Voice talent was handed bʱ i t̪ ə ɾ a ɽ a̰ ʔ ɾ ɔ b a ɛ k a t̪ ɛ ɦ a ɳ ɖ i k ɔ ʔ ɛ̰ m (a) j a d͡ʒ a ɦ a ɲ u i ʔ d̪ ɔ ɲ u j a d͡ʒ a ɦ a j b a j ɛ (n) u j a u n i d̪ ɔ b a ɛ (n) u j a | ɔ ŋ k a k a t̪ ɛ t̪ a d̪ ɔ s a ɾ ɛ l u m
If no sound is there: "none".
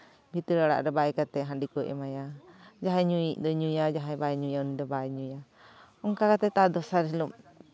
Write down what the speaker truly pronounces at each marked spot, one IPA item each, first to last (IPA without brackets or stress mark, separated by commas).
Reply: a, ɲ, ɲ